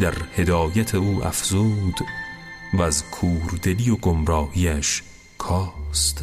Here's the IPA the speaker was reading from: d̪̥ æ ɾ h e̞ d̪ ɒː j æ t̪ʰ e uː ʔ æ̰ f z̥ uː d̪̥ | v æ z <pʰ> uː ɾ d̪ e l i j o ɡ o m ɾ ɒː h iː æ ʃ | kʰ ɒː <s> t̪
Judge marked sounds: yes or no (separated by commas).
no, yes